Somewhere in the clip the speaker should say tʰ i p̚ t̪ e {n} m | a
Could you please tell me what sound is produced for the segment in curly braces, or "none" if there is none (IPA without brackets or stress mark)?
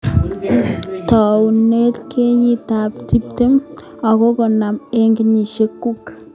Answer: none